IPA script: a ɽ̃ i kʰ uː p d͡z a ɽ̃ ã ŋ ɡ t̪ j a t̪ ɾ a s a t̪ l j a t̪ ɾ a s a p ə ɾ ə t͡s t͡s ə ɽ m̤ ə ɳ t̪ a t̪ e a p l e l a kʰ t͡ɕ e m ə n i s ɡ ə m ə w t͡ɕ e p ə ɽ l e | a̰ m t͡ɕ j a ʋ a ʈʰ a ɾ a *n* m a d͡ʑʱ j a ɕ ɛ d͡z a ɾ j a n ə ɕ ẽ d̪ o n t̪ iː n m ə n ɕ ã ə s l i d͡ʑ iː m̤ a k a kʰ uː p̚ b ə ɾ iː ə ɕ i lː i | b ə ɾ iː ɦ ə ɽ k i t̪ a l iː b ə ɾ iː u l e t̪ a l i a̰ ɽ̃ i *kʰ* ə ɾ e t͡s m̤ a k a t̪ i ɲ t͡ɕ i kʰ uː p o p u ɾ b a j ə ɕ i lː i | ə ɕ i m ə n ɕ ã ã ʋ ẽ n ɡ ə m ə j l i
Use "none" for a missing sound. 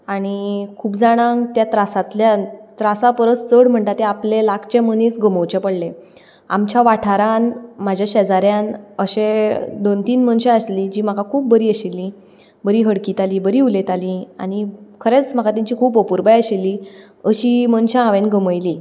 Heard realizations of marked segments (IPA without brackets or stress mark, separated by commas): n, kʰ